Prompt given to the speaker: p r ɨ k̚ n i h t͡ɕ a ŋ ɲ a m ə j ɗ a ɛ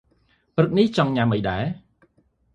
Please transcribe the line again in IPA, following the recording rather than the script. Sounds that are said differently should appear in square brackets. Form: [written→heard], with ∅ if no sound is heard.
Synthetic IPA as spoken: p r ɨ k̚ n i h t͡ɕ [a→ɑ] ŋ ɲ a m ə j ɗ a ɛ